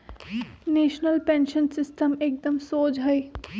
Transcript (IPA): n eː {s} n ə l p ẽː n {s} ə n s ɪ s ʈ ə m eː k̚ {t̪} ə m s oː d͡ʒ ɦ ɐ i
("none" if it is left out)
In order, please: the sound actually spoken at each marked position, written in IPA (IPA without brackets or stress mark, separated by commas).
ʃ, ʃ, d̪